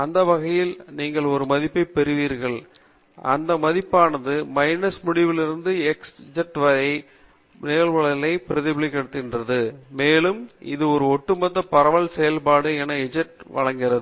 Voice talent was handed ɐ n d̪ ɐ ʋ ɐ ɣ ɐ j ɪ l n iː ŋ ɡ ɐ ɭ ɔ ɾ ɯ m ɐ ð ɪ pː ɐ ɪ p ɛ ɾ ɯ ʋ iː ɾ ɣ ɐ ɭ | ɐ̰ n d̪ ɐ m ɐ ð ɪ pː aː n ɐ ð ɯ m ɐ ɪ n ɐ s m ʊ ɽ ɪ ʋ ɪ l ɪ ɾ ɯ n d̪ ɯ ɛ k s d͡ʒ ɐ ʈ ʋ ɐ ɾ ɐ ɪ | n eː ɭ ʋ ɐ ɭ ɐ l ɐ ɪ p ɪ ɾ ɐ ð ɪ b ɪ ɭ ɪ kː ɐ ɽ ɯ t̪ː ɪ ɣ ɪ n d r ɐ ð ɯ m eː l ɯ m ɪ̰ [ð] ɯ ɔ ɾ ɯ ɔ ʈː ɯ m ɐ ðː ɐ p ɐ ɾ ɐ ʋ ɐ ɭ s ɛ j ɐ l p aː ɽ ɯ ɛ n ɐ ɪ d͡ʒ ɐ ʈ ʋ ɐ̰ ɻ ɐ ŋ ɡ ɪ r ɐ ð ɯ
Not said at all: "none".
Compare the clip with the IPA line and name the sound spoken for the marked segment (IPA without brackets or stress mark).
ð